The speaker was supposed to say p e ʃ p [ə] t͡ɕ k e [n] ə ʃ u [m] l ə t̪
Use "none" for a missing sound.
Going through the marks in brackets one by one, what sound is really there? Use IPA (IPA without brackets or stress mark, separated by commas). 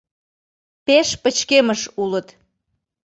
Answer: ə, m, none